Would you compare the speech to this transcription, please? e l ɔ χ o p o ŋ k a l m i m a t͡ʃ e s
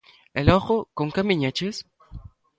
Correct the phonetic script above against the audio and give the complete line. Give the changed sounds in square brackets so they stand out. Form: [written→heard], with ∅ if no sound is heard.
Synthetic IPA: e l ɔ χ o [p→k] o ŋ k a [l→∅] m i [m→ɲ] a t͡ʃ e s